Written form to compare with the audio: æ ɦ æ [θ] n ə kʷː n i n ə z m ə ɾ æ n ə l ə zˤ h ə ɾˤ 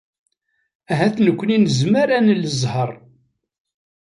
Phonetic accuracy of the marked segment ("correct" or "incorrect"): correct